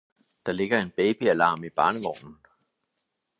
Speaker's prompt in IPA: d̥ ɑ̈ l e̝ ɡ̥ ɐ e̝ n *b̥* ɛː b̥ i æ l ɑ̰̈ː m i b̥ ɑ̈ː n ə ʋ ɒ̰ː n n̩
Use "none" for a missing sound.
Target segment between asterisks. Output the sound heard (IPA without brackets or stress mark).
b̥